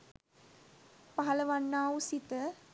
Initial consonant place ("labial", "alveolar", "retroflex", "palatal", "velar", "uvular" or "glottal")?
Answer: labial